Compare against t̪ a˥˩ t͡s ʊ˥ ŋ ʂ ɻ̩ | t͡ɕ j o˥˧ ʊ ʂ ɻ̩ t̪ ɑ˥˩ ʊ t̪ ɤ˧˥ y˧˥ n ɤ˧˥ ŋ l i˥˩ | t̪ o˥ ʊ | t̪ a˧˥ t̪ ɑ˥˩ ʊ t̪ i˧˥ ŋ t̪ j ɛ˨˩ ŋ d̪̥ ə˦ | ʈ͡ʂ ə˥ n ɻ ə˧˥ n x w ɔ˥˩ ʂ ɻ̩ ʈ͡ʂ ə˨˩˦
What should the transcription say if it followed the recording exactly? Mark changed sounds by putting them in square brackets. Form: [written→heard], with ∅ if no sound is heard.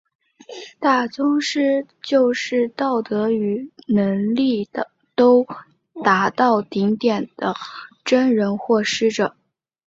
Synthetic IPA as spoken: t̪ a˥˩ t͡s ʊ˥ ŋ ʂ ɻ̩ | t͡ɕ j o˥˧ ʊ ʂ ɻ̩ t̪ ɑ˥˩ ʊ t̪ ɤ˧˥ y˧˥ n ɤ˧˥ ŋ l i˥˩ | t̪ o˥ ʊ | t̪ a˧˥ t̪ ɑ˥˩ ʊ t̪ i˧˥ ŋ t̪ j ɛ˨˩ [ŋ→n] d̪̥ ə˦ | ʈ͡ʂ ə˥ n ɻ ə˧˥ n x w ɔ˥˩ ʂ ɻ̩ ʈ͡ʂ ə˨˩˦